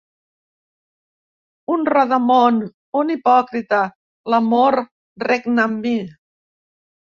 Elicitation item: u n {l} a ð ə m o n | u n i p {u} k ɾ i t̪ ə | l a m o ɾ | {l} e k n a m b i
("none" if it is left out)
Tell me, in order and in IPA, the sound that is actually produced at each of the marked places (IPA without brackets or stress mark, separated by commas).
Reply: r, ɔ, r